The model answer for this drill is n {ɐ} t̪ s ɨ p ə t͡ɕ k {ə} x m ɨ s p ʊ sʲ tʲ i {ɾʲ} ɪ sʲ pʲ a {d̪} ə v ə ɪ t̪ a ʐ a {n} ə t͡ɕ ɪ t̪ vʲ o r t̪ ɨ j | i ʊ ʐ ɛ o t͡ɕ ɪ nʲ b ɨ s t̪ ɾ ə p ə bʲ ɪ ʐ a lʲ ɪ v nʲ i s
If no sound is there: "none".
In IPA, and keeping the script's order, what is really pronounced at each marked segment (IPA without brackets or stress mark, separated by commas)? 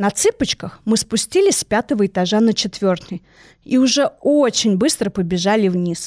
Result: ɐ, ə, lʲ, t̪, n